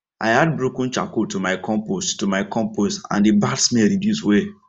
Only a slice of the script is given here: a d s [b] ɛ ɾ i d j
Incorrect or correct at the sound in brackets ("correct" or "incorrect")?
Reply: incorrect